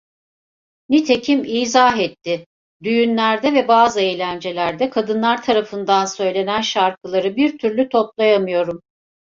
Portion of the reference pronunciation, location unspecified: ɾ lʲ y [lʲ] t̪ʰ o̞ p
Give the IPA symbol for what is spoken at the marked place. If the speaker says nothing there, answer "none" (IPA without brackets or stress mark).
none